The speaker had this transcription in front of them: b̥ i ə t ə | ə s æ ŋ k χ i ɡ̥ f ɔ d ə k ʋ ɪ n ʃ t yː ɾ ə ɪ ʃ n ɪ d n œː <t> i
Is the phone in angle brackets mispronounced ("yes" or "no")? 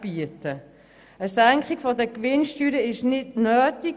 no